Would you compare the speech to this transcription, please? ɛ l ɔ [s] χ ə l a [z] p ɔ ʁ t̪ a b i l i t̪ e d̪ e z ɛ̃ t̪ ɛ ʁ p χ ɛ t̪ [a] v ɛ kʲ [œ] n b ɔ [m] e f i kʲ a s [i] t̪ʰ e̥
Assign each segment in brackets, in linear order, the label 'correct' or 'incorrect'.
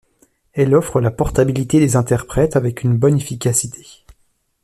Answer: incorrect: f, incorrect: none, correct, incorrect: y, incorrect: n, correct

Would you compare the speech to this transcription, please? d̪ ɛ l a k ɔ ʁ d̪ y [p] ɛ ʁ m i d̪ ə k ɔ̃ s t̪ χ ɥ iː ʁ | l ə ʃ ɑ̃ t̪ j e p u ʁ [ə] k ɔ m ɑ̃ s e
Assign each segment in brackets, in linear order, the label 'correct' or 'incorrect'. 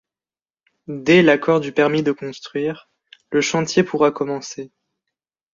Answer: correct, incorrect: a

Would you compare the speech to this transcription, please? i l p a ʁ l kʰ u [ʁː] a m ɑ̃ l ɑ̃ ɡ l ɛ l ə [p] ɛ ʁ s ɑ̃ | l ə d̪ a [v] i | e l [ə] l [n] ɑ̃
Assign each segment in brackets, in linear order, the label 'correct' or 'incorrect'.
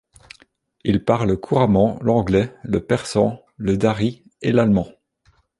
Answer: incorrect: ʁ, correct, incorrect: ʁ, incorrect: a, incorrect: m

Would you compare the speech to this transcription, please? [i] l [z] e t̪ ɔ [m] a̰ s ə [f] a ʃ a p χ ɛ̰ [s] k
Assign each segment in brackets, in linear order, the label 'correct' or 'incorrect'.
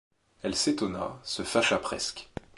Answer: incorrect: ɛ, incorrect: s, incorrect: n, correct, correct

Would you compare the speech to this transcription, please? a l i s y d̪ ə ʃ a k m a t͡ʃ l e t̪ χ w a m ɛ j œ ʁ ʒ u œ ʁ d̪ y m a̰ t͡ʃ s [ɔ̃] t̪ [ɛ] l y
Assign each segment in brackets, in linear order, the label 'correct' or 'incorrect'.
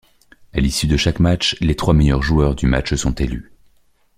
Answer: correct, incorrect: e

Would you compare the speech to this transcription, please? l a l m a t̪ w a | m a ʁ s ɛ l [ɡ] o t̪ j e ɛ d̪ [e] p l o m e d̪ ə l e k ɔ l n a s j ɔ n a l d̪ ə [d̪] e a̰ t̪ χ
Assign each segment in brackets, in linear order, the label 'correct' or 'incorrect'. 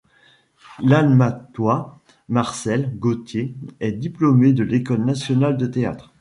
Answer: correct, incorrect: i, incorrect: t̪

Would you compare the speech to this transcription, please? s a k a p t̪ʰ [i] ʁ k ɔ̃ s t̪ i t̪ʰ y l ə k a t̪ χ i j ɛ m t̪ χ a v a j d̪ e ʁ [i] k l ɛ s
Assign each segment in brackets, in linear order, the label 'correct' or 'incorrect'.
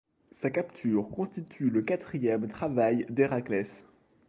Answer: incorrect: y, incorrect: a

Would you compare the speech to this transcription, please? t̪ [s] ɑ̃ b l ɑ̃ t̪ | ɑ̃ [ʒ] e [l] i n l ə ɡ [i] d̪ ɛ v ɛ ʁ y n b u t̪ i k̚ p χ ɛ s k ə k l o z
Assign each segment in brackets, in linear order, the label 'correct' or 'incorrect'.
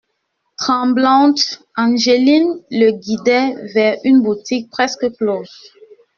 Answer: incorrect: χ, correct, correct, correct

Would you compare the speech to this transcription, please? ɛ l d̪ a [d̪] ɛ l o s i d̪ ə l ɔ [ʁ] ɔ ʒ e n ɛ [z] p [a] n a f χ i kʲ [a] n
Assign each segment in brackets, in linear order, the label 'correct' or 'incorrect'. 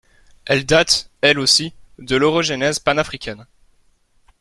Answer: incorrect: t̪, correct, correct, correct, incorrect: ɛ

